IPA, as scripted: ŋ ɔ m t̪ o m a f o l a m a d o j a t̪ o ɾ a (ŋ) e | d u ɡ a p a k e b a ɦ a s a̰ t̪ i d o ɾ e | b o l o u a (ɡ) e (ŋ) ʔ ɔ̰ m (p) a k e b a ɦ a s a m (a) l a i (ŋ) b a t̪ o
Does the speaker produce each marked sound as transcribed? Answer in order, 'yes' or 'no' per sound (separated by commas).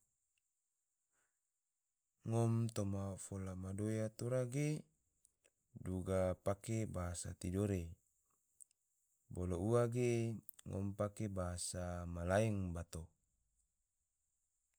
no, yes, yes, yes, yes, yes